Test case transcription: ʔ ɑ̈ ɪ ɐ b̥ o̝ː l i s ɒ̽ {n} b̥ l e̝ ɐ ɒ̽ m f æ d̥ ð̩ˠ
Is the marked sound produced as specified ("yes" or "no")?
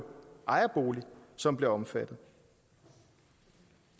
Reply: no